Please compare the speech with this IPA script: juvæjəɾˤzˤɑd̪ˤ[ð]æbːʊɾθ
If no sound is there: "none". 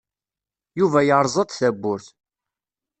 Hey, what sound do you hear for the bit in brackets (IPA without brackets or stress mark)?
θ